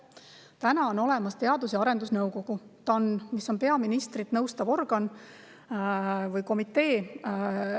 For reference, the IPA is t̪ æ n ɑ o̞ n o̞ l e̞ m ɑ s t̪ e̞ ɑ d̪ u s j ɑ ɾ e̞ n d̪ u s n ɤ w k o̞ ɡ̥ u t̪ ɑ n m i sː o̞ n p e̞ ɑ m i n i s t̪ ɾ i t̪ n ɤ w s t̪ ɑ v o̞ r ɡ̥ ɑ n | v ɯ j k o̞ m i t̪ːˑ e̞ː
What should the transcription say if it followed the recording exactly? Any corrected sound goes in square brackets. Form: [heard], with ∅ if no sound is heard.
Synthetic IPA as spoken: t̪ æ n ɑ o̞ n o̞ l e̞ m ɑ s t̪ e̞ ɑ d̪ u s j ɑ ɾ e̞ n d̪ u s n ɤ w k o̞ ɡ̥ u t̪ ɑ n m i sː o̞ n p e̞ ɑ m i n i s t̪ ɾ i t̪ n ɤ w s t̪ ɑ v o̞ r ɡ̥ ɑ n | v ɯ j k o̞ m i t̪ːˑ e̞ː